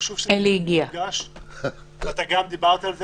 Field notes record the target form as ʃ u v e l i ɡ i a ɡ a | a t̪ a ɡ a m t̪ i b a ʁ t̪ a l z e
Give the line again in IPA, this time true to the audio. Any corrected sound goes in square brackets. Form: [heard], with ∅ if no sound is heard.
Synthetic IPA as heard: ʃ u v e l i ɡ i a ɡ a | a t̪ a ɡ a m [d̪] i b a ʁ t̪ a l z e